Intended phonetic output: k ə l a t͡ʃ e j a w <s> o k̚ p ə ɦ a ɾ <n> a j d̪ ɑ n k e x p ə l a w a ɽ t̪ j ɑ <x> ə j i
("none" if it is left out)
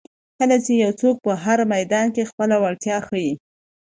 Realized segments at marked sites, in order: t͡s, m, x

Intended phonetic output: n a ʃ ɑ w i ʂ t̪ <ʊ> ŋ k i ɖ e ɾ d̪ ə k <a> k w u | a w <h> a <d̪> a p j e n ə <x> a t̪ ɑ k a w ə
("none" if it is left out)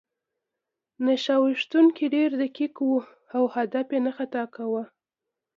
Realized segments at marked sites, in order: u, i, h, d̪, x

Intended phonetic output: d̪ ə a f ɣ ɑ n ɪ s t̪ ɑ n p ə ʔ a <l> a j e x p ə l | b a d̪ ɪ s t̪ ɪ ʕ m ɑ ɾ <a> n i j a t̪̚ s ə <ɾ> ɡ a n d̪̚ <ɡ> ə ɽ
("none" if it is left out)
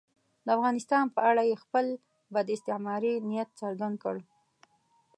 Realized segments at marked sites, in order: ɽ, i, ɾ, k

